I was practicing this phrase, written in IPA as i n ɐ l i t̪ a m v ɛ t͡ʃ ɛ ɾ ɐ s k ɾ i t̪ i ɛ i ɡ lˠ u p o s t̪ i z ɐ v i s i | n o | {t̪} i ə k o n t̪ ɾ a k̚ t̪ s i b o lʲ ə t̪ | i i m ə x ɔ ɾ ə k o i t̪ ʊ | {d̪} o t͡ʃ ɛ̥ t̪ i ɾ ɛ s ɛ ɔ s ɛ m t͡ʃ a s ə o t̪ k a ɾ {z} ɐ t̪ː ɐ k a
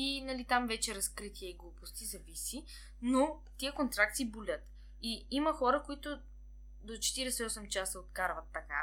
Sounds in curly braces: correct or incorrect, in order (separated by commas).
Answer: correct, correct, incorrect